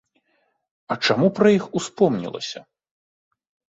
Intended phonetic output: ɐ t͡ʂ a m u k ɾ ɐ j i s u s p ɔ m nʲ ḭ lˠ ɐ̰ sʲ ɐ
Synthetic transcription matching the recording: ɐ t͡ʂ a m u p ɾ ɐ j i x u s p ɔ m nʲ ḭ lˠ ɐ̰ sʲ ɐ